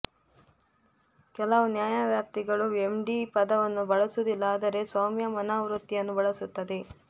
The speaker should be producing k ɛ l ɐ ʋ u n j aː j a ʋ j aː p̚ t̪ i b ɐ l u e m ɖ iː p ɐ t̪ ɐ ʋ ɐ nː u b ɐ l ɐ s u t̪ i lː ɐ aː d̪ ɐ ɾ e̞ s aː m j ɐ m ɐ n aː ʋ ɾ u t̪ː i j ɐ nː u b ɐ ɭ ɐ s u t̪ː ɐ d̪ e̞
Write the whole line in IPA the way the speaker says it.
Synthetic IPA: k ɛ l ɐ ʋ u n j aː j a ʋ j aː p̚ t̪ i ɡ ɐ ɭ u e m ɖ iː p ɐ d̪ ɐ ʋ ɐ nː u b ɐ ɭ ɐ s u d̪ i lː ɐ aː d̪ ɐ ɾ e̞ s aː m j ɐ m ɐ n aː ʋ ɾ u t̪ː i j ɐ nː u b ɐ ɭ ɐ s u t̪ː ɐ d̪ e̞